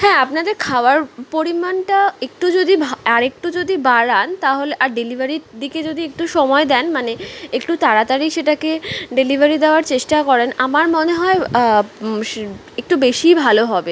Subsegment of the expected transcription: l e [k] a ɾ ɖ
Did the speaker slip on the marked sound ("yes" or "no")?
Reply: yes